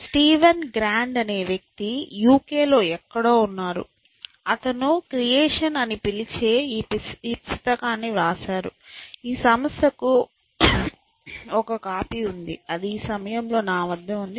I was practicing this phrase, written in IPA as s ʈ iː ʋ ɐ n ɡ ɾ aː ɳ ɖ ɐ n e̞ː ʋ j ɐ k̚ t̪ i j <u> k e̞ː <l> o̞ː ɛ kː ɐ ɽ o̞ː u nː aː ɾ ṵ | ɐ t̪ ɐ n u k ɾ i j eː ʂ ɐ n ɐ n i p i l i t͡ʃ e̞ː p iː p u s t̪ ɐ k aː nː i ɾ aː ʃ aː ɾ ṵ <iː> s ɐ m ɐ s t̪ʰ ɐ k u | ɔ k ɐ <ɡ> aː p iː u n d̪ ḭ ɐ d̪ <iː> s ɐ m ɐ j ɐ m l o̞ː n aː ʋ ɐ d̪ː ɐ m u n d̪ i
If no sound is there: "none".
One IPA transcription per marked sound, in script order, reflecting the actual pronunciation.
uː, l, iː, k, iː

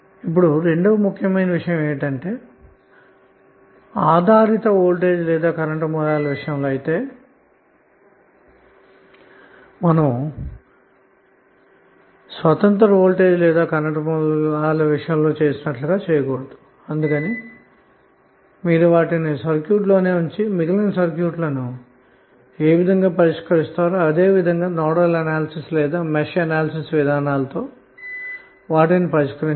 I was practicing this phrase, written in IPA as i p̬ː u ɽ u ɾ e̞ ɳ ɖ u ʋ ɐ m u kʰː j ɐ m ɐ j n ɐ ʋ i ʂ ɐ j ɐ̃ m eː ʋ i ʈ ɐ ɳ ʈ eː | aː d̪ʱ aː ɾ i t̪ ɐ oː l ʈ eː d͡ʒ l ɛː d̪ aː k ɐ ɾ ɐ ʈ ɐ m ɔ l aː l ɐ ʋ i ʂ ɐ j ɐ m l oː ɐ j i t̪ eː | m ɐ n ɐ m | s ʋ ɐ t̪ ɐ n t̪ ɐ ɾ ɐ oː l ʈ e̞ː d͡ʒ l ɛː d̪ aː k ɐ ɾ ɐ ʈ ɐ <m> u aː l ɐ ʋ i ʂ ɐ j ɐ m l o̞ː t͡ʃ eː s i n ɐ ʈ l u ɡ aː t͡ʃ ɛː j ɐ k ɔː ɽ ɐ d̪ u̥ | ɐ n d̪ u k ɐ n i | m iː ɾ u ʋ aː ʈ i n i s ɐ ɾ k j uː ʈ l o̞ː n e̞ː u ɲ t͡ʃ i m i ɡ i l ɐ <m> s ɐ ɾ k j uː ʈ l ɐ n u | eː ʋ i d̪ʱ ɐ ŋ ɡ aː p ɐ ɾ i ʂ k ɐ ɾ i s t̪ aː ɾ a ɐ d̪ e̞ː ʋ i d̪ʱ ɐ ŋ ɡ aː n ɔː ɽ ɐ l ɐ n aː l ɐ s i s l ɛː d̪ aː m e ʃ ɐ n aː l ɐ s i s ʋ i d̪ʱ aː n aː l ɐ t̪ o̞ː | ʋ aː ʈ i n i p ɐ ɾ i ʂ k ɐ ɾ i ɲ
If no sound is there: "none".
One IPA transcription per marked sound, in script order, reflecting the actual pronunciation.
m, n

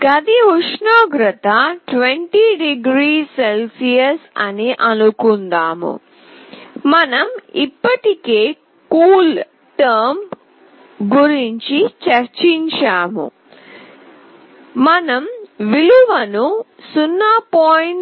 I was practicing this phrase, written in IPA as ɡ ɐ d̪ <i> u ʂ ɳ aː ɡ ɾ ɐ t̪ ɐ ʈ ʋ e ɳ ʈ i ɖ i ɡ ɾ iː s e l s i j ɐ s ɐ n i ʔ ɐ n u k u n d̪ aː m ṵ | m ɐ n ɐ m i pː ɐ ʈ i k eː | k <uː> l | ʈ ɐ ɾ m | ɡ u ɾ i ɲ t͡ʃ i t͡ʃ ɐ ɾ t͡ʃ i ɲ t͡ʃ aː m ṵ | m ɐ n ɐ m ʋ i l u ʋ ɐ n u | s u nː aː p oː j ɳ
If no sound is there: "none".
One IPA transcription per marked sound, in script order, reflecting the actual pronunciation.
i, uː

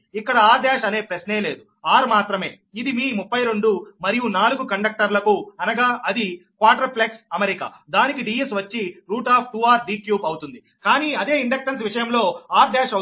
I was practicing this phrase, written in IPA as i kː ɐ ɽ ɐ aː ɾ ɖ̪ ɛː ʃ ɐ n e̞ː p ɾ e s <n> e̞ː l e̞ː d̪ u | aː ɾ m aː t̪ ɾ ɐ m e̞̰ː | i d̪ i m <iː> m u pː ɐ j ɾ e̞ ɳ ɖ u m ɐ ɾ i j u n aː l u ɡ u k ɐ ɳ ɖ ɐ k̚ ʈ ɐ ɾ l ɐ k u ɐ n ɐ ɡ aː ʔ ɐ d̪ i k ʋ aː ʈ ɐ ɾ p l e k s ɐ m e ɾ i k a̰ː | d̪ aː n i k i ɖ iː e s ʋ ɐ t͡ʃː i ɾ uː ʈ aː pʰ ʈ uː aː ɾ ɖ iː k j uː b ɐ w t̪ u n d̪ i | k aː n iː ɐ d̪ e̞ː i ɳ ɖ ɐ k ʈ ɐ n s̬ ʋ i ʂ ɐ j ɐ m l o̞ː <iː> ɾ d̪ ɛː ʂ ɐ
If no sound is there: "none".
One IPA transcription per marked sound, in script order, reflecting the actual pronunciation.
n, iː, aː

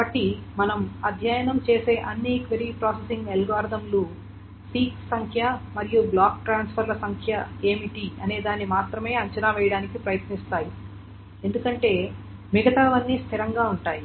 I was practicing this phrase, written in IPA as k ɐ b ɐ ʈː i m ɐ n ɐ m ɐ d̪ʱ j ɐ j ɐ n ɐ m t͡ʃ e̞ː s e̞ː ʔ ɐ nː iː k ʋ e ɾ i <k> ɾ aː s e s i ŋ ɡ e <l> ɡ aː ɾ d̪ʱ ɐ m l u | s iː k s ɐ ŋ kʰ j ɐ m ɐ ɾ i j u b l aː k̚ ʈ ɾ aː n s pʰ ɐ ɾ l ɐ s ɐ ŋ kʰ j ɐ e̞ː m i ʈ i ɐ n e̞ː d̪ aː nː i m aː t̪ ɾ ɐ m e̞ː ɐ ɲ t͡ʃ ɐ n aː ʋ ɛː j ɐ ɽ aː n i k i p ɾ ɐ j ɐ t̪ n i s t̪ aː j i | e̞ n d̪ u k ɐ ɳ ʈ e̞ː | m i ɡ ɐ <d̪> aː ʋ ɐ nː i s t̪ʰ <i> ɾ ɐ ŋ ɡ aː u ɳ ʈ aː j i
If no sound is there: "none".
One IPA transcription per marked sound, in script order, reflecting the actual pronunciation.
p, l, t̪, i

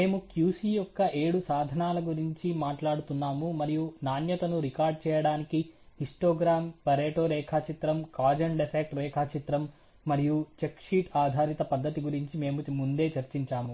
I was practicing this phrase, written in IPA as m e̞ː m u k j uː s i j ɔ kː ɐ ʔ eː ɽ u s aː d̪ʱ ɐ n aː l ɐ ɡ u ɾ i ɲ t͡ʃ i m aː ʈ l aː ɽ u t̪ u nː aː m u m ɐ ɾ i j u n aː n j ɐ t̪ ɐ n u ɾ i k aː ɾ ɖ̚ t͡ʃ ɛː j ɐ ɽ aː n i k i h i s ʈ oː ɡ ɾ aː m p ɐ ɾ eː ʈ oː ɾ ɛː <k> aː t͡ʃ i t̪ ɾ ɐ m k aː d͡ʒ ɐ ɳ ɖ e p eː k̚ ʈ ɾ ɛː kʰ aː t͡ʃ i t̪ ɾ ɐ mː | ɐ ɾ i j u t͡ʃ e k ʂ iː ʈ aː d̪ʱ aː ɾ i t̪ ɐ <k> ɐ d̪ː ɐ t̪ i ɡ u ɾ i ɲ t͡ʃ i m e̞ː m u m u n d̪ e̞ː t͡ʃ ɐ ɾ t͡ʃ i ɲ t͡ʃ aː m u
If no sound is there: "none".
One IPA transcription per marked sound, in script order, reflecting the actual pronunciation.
kʰ, p

